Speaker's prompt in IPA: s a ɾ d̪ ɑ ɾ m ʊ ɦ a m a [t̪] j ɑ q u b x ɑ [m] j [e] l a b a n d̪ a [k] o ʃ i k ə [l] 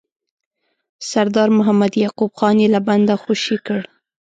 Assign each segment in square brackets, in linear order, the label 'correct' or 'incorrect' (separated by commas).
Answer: incorrect, incorrect, correct, incorrect, incorrect